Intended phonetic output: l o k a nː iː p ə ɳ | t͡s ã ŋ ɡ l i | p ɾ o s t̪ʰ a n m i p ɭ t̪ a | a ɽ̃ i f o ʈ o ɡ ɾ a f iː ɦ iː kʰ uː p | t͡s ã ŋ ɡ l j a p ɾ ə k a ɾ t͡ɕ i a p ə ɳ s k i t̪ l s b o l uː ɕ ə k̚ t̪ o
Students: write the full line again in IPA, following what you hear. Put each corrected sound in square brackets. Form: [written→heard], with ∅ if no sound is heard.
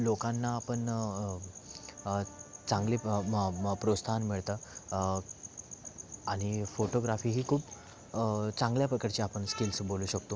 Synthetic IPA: l o k a nː [iː→aː] p ə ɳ | t͡s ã ŋ ɡ l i | p ɾ o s t̪ʰ a n m i [p→∅] ɭ t̪ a | a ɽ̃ i f o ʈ o ɡ ɾ a f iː ɦ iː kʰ uː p | t͡s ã ŋ ɡ l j a p ɾ ə k a ɾ t͡ɕ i a p ə ɳ s k i [t̪→∅] l s b o l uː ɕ ə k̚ t̪ o